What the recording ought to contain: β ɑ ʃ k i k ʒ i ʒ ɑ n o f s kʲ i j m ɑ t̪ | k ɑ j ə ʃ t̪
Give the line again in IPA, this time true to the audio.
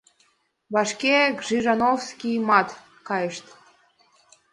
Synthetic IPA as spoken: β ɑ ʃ k e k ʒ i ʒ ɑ n o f s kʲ i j m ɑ t̪ | k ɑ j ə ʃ t̪